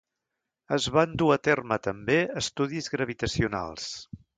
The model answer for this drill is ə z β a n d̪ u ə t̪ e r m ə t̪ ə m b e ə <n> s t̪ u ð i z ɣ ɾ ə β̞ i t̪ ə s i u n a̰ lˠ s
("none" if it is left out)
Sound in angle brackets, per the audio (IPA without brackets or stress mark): none